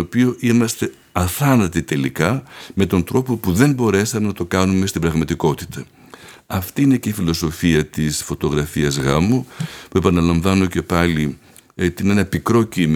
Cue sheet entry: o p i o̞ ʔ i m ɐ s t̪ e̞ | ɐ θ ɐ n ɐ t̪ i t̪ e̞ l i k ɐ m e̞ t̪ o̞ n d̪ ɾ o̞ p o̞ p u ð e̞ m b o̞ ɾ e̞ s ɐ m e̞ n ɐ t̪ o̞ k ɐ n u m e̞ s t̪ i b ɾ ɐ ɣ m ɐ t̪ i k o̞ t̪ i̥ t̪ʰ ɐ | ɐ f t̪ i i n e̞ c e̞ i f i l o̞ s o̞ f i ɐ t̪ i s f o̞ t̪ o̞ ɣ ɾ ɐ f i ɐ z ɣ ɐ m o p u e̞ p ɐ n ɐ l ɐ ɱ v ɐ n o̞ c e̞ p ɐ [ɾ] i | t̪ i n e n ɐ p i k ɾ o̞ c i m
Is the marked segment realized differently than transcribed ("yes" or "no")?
yes